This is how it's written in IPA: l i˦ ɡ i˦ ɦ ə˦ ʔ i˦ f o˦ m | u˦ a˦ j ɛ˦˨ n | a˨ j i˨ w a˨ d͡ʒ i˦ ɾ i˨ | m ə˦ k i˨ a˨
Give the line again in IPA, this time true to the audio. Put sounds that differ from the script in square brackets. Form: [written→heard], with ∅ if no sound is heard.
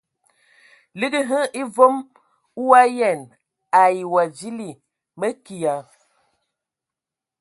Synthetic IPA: l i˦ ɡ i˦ ɦ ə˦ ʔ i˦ [f→v] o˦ m | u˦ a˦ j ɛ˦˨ n | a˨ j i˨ w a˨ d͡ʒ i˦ [ɾ→l] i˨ | m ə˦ k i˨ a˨